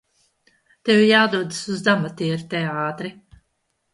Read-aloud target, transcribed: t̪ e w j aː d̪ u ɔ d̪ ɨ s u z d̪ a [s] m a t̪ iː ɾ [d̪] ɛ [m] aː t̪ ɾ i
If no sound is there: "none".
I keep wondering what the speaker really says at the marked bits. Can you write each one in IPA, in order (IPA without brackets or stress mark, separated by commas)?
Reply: none, t̪, none